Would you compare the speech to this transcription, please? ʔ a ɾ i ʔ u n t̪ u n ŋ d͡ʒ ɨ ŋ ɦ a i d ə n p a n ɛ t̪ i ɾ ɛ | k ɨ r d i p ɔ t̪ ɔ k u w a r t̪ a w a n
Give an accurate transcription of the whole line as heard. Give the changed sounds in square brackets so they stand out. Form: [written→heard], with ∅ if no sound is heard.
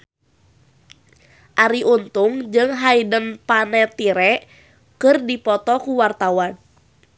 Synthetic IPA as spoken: ʔ a ɾ i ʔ u n t̪ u [n→∅] ŋ d͡ʒ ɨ ŋ ɦ a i d ə n p a n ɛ t̪ i ɾ ɛ | k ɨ r d i p ɔ t̪ ɔ k u w a r t̪ a w a n

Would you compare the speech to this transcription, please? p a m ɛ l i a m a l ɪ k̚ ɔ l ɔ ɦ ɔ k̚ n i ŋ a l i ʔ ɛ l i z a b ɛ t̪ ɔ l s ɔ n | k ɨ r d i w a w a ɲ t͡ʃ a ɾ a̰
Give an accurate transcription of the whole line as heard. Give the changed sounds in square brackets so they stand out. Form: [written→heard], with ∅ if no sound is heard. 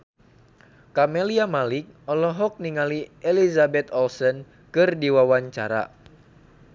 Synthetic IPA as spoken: [p→k] a m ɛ l i a m a l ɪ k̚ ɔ l ɔ ɦ ɔ k̚ n i ŋ a l i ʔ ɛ l i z a b ɛ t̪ ɔ l s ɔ n | k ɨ r d i w a w a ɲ t͡ʃ a ɾ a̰

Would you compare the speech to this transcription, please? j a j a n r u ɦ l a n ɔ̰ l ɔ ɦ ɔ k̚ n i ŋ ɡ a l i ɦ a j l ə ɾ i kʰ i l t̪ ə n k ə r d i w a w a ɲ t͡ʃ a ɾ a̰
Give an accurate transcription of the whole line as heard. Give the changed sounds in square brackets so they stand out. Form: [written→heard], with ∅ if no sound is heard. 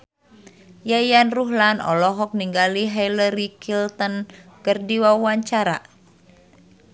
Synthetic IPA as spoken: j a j a n r u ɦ l a n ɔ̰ l ɔ ɦ ɔ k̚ n i ŋ ɡ a l i ɦ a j l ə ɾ i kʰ i l t̪ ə n k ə r d i w a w a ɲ t͡ʃ a ɾ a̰

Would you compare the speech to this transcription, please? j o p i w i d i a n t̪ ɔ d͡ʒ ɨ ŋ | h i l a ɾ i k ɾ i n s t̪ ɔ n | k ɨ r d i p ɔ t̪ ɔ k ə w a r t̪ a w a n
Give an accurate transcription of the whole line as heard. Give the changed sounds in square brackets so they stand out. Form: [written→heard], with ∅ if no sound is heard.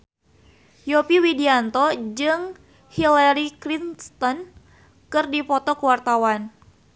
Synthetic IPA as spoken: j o p i w i d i a n t̪ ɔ d͡ʒ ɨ ŋ | h i l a ɾ i k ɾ i n s t̪ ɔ n | k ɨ r d i p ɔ t̪ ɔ k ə w a r t̪ a w a n

